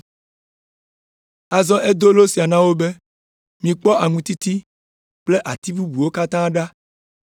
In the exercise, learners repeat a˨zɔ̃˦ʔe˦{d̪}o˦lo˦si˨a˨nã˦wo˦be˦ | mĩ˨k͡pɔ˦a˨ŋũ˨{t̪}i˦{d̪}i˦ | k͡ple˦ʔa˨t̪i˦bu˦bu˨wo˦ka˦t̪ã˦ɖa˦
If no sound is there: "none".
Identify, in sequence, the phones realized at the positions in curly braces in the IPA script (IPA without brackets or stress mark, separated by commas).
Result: d̪, t̪, t̪